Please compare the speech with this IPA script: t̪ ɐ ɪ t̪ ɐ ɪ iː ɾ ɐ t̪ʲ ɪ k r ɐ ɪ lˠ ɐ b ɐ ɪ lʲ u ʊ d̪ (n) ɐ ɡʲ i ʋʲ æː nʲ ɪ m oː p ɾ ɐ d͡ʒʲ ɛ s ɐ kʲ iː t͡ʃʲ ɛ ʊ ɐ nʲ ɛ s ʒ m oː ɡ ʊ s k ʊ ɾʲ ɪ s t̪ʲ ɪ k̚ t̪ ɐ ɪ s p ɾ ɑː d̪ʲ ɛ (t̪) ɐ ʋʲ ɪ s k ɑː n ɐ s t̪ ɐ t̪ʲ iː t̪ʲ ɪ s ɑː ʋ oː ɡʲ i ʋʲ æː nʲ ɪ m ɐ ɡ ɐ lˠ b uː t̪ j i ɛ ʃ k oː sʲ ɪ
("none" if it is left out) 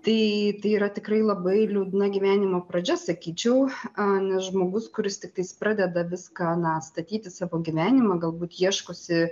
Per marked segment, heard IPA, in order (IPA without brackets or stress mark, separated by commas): n, d̪